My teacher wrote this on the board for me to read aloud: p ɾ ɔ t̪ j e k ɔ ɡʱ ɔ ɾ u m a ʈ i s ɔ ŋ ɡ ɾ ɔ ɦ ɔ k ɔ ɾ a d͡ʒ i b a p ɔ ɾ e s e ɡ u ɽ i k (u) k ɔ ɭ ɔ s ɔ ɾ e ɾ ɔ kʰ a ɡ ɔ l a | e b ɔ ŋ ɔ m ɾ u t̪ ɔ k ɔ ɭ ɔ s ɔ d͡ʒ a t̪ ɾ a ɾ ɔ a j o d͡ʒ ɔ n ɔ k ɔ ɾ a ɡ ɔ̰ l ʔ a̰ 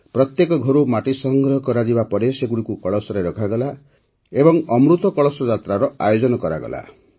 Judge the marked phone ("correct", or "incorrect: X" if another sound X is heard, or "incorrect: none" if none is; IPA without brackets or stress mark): correct